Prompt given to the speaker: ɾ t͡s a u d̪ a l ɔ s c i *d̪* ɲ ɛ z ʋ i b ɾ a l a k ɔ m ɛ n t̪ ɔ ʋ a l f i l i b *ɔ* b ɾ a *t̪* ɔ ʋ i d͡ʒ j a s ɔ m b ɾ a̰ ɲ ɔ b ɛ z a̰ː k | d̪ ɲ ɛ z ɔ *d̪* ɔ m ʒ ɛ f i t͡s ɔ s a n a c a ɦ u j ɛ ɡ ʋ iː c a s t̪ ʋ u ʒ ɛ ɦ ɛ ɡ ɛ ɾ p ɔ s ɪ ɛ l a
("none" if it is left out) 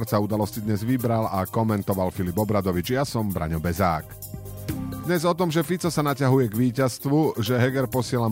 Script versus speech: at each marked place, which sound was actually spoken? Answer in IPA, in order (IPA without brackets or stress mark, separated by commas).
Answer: d̪, ɔ, d̪, t̪